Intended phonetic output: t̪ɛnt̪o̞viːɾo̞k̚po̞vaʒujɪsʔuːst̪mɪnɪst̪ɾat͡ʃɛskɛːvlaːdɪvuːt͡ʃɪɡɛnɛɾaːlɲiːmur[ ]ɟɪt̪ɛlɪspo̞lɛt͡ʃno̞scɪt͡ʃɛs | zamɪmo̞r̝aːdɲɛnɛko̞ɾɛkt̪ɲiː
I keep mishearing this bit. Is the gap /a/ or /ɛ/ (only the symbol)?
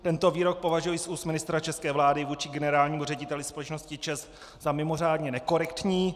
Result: ɛ